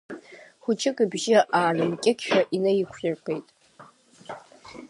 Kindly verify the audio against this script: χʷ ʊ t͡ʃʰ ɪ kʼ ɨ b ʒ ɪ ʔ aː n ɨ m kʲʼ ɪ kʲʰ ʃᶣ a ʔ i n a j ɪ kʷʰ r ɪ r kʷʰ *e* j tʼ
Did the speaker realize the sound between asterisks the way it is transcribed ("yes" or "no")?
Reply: yes